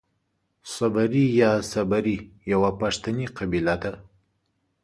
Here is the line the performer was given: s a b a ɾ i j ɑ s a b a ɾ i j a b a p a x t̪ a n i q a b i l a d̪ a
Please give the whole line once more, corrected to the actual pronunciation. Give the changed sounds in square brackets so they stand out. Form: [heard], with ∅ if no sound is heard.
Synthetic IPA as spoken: s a b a ɾ i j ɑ s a b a ɾ i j a [w] a p a [ʂ] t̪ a n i q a b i l a d̪ a